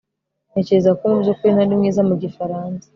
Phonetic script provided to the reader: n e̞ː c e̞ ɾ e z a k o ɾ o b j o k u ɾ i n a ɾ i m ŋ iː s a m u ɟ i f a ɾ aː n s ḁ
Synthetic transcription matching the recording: n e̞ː c e̞ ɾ e z a k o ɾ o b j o k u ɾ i n a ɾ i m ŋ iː z a m u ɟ i f a ɾ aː n s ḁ